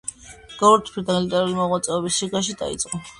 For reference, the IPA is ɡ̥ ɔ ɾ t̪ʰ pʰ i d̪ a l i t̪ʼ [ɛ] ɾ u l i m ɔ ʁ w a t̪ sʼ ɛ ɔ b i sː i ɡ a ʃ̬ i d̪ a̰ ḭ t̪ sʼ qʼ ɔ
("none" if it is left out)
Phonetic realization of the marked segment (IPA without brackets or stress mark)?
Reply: ɛ